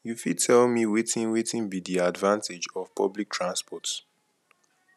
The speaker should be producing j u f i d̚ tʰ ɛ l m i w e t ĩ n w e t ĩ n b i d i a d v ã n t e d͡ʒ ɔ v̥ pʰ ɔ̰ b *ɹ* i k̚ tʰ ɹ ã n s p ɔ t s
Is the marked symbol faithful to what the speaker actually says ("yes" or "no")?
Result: no